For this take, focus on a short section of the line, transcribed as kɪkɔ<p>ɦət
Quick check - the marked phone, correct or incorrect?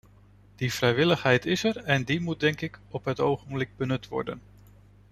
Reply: correct